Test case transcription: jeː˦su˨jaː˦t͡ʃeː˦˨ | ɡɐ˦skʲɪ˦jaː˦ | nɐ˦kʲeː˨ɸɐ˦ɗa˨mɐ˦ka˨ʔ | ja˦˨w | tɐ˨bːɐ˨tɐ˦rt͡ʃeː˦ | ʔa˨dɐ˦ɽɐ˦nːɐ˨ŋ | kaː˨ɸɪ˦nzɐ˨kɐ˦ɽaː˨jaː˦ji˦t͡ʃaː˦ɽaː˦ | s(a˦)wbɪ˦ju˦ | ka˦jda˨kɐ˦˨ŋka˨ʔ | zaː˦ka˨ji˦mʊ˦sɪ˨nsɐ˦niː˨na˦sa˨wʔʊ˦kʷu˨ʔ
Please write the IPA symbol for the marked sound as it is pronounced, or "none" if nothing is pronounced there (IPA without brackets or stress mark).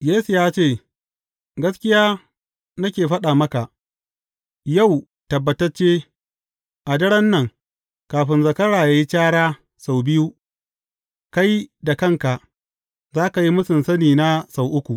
a˨